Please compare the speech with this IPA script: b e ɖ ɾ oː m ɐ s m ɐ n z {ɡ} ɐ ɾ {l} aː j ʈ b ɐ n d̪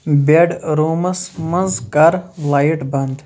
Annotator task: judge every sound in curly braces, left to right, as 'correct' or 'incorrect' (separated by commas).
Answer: incorrect, correct